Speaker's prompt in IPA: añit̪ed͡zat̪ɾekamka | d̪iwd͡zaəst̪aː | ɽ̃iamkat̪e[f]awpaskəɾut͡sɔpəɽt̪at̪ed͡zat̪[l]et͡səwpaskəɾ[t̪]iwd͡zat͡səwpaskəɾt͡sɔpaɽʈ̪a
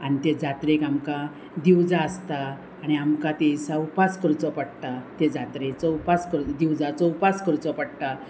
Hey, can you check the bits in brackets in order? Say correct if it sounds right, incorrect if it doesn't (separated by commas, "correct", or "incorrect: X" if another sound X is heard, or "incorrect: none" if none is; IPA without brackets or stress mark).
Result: incorrect: s, incorrect: ɾ, incorrect: d̪